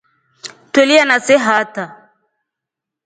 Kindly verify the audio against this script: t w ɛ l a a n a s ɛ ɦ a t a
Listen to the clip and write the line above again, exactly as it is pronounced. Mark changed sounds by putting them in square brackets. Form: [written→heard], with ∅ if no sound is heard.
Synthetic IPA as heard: t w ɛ l [a→i] a n a s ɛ ɦ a t a